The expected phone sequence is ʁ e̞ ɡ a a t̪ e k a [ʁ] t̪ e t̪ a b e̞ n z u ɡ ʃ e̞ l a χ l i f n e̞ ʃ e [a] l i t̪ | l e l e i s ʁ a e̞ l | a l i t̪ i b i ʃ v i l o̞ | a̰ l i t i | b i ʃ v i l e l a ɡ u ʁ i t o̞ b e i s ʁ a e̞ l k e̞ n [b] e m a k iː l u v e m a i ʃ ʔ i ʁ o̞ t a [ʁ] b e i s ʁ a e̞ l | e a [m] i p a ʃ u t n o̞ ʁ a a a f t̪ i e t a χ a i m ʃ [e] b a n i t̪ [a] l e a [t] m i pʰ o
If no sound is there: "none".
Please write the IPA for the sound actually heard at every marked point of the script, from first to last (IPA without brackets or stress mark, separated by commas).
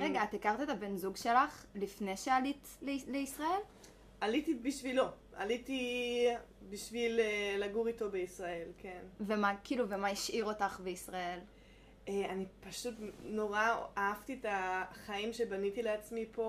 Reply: ʁ, a, v, χ, n, e, i, t͡s